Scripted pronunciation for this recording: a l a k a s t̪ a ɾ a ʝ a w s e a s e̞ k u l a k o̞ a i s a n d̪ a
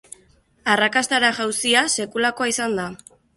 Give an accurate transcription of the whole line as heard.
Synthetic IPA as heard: a r a k a s t̪ a ɾ a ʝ a w s i a s e̞ k u l a k o̞ a i s a n d̪ a